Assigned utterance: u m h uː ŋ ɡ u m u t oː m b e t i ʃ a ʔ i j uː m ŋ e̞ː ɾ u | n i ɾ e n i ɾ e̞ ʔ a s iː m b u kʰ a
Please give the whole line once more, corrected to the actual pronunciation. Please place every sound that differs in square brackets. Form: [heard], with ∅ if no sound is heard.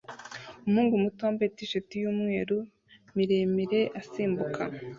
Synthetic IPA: u m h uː ŋ ɡ u m u t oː m b e t i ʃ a [t] i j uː m ŋ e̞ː ɾ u | [m] i ɾ e [m] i ɾ e̞ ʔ a s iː m b u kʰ a